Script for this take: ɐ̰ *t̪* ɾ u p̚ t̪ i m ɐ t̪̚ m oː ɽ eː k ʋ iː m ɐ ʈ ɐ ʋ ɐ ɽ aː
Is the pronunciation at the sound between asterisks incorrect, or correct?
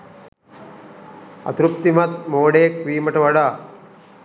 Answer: correct